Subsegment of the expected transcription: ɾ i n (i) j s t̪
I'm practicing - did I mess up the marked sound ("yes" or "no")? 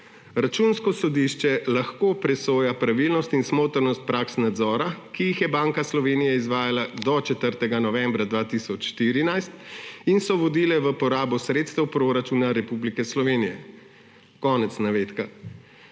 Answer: yes